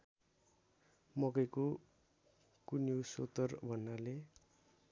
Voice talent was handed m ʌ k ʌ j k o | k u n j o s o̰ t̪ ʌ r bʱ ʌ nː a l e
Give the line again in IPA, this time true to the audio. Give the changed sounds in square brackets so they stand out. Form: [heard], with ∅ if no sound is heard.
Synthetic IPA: m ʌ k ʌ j k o | k u n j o s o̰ t̪ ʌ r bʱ ʌ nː a l e